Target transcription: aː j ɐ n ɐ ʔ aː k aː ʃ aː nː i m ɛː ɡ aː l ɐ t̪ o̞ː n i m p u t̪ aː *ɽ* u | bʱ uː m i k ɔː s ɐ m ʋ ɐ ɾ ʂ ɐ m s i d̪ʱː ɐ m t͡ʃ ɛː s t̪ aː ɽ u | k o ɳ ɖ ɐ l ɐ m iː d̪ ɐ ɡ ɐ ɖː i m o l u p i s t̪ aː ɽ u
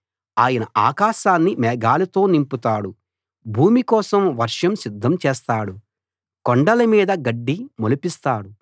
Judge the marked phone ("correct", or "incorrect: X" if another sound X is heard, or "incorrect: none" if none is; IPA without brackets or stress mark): correct